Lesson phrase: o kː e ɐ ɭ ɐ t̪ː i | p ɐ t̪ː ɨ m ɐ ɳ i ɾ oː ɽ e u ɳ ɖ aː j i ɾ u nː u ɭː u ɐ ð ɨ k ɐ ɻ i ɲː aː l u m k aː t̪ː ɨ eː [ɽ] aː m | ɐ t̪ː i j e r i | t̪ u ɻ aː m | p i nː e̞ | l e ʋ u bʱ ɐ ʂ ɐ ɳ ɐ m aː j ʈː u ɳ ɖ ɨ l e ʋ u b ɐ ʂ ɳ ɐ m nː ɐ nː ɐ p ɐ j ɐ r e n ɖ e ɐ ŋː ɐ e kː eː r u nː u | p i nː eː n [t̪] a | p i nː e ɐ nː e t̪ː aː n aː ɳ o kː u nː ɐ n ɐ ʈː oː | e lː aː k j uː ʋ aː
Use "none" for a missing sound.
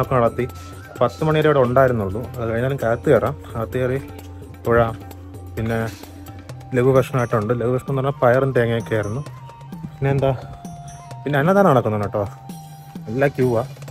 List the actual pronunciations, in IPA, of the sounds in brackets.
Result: r, d̪

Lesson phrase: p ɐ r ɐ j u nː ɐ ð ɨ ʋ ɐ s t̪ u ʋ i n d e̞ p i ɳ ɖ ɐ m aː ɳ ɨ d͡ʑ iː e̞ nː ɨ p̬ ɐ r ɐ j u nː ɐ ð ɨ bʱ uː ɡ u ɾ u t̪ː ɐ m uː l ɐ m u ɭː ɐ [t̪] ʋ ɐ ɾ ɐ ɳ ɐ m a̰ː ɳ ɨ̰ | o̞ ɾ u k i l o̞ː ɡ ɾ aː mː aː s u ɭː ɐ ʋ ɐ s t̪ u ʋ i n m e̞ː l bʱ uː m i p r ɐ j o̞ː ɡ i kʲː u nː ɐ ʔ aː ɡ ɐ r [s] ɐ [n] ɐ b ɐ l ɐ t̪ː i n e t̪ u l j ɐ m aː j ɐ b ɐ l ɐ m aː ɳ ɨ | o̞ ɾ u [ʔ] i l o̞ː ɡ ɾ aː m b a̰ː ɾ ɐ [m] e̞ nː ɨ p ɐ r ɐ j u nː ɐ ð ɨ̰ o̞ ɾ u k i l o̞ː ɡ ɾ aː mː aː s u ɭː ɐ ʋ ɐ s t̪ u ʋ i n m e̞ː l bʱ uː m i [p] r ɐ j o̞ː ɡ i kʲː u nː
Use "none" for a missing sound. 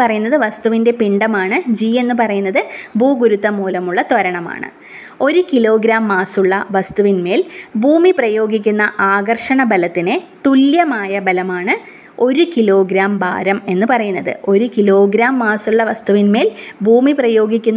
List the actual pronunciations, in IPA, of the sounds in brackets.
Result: t̪, ʂ, ɳ, k, m, p

